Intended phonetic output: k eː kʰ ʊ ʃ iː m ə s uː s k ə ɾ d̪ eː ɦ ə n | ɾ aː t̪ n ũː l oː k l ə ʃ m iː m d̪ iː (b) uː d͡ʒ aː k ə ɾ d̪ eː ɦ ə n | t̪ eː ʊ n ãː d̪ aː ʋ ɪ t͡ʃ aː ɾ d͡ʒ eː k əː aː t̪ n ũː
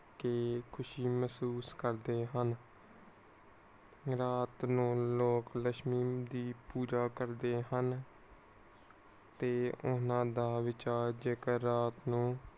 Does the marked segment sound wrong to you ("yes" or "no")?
yes